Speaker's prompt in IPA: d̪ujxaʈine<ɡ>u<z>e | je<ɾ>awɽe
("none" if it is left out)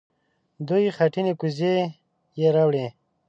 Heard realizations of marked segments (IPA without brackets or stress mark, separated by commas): k, z, ɾ